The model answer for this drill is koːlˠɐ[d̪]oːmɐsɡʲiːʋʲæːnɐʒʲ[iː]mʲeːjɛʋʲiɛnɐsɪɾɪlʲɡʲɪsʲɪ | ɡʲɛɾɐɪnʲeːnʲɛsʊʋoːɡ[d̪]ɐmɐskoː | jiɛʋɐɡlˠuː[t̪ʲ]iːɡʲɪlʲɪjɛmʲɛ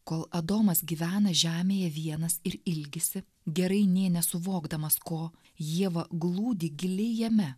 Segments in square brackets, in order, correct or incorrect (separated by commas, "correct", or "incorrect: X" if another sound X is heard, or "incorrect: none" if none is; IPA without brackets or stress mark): correct, incorrect: æː, correct, incorrect: d̪ʲ